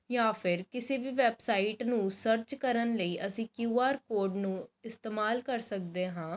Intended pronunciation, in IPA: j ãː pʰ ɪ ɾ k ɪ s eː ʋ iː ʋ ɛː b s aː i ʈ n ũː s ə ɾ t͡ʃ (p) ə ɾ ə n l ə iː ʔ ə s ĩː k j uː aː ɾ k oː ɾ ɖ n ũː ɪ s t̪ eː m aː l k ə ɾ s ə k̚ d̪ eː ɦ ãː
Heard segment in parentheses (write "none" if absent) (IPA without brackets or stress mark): k